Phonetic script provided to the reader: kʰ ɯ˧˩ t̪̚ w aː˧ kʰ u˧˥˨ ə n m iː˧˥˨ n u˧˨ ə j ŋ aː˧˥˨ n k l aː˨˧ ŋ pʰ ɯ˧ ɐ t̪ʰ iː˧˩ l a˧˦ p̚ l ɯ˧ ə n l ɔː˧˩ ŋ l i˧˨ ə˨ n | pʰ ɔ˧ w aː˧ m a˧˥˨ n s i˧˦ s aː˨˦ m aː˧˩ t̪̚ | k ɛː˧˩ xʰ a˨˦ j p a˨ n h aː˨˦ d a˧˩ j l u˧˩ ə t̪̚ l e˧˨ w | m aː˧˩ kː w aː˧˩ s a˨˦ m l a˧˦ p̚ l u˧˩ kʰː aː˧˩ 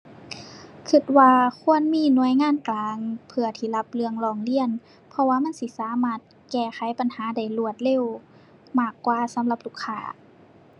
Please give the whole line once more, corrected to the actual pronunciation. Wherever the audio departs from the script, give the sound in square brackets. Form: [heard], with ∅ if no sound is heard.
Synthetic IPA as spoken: kʰ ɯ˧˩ t̪̚ w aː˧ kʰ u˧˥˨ ə n m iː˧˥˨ n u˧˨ ə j ŋ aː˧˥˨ n k l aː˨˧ ŋ pʰ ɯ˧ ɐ t̪ʰ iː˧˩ l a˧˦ p̚ l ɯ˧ ə [ŋ] l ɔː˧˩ ŋ l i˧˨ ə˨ n | pʰ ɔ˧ w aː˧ m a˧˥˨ n s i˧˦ s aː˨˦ m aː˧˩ t̪̚ | k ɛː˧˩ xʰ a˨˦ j p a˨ n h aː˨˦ d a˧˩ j l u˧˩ ə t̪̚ l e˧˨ w | m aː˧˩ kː w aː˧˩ s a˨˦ m l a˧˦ p̚ l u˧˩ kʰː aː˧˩